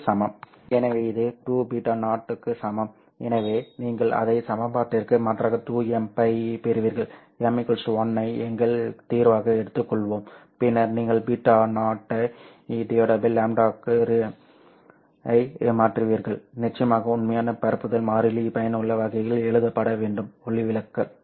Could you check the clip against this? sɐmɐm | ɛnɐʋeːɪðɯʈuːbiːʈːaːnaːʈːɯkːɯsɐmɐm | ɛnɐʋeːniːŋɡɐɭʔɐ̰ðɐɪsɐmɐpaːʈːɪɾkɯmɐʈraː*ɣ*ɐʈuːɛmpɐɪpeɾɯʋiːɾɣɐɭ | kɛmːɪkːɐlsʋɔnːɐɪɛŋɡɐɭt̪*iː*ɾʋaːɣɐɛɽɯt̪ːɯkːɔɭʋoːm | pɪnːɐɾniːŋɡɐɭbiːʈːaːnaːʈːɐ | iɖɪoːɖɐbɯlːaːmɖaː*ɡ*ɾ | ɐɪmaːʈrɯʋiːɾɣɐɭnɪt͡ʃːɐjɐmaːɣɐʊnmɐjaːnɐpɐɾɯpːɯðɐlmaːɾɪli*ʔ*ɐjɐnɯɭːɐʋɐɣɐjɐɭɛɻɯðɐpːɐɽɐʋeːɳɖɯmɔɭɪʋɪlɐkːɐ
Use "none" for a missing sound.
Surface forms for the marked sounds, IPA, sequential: ɣ, iː, k, p

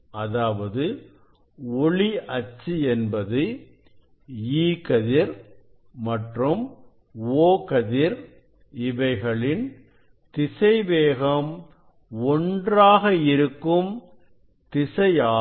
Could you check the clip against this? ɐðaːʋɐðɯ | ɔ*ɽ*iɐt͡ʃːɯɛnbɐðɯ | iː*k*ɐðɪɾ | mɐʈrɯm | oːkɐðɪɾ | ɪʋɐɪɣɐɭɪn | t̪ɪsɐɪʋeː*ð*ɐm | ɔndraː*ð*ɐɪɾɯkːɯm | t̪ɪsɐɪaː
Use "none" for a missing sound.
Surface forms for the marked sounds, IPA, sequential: ɭ, k, ɣ, ɣ

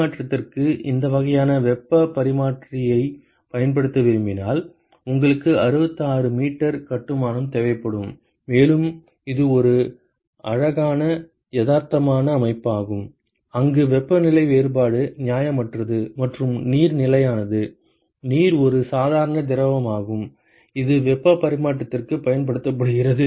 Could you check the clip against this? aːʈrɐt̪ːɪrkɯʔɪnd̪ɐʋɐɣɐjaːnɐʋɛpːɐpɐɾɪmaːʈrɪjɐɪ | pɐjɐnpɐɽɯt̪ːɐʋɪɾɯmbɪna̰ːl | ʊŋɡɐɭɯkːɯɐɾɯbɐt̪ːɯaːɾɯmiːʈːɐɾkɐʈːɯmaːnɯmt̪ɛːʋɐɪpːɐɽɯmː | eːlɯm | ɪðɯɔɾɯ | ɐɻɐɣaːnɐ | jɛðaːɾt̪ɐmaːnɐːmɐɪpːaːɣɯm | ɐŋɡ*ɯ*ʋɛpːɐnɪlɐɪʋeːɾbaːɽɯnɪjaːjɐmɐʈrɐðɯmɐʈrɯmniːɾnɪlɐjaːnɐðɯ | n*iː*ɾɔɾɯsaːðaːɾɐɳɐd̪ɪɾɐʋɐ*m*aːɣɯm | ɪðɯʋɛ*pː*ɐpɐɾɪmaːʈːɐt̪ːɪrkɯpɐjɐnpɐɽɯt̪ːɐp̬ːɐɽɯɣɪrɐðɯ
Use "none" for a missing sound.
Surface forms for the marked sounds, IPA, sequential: ɯ, iː, m, pː

